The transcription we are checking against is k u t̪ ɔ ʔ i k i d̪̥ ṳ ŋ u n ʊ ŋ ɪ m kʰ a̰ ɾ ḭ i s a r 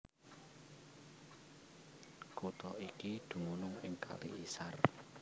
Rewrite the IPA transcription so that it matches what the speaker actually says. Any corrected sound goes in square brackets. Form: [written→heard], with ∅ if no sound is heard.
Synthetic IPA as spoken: k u t̪ ɔ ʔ i k i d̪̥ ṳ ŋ u n ʊ ŋ ɪ [m→ŋ] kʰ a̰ [ɾ→l] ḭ i s a r